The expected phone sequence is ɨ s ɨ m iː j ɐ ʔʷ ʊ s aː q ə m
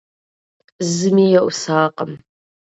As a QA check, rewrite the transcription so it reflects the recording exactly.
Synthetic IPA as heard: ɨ z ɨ m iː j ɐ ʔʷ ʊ s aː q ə m